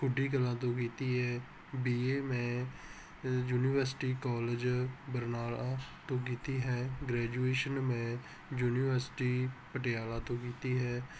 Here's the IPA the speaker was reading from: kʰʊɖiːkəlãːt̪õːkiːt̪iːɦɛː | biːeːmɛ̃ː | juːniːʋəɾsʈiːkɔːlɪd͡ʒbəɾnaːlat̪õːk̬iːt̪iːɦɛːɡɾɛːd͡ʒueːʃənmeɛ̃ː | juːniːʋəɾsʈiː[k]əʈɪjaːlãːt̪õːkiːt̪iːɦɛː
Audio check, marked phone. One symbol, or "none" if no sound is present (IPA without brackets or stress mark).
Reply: p